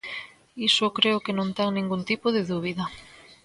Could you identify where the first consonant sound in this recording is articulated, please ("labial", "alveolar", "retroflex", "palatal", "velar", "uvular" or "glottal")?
alveolar